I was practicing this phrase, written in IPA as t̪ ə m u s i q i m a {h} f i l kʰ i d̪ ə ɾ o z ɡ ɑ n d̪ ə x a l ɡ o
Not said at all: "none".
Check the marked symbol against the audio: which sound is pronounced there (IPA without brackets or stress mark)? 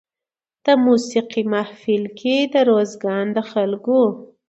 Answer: h